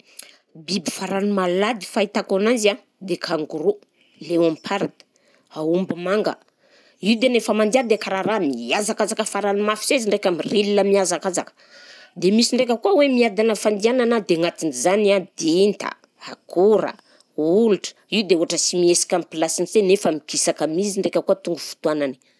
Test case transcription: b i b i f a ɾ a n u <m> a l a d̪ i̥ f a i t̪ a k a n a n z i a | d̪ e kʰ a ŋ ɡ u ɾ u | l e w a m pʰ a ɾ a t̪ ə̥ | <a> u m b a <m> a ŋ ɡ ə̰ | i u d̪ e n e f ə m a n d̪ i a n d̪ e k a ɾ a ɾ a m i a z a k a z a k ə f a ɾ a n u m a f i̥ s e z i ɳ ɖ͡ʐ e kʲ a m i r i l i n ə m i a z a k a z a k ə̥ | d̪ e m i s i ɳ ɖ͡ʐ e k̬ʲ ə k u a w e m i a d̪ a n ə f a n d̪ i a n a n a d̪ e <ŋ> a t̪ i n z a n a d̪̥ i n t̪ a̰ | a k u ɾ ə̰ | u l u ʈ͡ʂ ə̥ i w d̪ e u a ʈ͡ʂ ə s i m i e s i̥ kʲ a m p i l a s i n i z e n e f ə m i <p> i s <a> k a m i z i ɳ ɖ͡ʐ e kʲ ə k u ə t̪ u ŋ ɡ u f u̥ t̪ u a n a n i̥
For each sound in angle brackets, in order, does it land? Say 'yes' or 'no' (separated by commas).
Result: yes, yes, yes, yes, no, yes